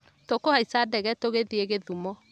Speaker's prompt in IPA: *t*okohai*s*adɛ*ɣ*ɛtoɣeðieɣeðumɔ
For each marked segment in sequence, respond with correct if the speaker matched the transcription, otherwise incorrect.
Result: correct, correct, correct

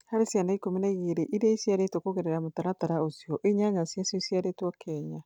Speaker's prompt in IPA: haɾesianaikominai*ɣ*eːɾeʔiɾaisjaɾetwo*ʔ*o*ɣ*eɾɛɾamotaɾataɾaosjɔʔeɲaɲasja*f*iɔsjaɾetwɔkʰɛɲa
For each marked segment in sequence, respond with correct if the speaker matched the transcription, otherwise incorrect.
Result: correct, incorrect, correct, incorrect

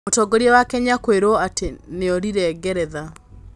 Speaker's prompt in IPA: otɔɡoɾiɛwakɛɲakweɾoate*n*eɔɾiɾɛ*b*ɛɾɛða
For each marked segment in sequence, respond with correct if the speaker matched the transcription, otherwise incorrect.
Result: correct, incorrect

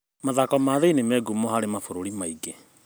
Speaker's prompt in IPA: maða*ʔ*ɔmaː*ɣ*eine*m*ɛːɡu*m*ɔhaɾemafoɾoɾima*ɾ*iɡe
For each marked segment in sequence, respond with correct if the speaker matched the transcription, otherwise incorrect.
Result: incorrect, incorrect, correct, correct, incorrect

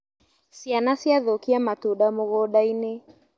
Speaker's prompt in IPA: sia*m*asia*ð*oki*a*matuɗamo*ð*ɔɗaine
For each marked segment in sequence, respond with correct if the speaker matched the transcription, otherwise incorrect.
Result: incorrect, correct, correct, incorrect

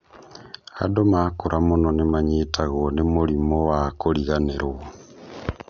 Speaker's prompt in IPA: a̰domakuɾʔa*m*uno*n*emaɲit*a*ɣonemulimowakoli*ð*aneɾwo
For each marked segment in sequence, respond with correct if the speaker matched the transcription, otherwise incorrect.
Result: correct, correct, correct, incorrect

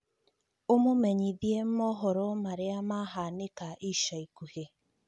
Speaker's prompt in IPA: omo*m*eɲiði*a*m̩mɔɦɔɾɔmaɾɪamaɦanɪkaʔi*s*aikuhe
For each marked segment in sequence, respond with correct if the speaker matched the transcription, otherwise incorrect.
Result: correct, incorrect, incorrect

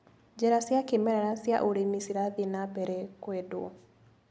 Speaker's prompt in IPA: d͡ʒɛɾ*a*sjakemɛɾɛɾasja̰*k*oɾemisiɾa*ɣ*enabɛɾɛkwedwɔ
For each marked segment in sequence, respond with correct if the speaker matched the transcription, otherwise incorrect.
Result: correct, incorrect, incorrect

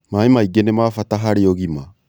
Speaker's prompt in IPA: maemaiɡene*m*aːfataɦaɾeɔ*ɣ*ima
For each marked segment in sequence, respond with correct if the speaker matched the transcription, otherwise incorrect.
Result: correct, correct

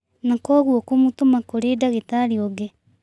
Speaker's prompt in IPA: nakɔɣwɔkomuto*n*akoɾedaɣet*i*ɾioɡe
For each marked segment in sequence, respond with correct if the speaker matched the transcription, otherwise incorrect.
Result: incorrect, incorrect

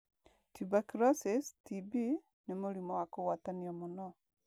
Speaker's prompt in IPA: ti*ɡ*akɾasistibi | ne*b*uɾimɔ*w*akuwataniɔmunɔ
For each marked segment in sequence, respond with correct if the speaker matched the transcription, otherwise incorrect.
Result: incorrect, incorrect, correct

